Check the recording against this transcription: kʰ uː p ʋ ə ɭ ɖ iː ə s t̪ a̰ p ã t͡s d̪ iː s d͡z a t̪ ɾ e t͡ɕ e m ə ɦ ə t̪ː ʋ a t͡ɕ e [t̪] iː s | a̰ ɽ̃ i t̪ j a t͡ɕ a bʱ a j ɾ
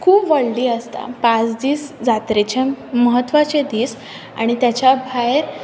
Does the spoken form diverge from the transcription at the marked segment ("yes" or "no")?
yes